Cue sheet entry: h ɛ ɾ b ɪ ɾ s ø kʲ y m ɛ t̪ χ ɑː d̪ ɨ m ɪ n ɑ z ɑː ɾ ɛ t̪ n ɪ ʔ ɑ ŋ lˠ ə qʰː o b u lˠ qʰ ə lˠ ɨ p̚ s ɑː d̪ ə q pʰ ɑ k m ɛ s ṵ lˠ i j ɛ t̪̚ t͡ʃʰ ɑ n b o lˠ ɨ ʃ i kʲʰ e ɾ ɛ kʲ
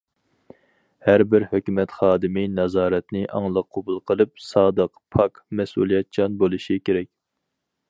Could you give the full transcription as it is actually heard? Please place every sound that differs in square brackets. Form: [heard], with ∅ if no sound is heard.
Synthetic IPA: h [æ] ɾ b ɪ ɾ [h] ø kʲ y m ɛ t̪ χ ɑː d̪ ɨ m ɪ n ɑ z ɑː ɾ ɛ t̪ n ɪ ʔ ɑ ŋ lˠ ə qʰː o b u lˠ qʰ ə lˠ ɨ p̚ s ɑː d̪ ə q pʰ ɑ k m ɛ s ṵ lˠ i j ɛ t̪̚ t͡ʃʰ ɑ n b o lˠ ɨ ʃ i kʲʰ e ɾ ɛ kʲ